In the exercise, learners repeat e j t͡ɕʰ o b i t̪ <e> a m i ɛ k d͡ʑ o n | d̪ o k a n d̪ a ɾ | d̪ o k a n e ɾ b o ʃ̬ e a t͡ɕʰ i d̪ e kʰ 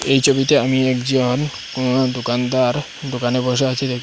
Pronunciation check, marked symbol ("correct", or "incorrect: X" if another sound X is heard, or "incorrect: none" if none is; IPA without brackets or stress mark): correct